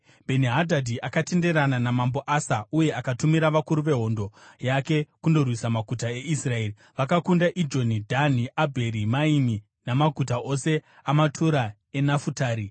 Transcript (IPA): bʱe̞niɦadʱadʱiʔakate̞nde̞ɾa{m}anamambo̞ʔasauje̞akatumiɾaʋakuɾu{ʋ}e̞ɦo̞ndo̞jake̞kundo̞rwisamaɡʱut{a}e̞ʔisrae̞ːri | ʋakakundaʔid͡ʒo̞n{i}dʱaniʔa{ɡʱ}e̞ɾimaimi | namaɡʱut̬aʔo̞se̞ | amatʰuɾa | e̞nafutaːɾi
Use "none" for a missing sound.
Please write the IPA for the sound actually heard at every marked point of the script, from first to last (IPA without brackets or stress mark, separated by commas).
n, ʋ, a, i, bʱ